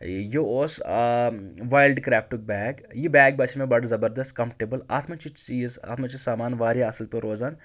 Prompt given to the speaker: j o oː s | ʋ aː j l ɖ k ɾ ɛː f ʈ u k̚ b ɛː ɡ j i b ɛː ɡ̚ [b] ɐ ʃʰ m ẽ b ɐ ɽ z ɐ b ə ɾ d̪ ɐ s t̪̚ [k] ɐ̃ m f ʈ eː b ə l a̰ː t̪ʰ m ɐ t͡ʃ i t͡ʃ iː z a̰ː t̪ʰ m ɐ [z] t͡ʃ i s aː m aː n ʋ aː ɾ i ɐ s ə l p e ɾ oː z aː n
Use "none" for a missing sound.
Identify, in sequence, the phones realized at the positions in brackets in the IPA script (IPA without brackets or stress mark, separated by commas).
b, k, none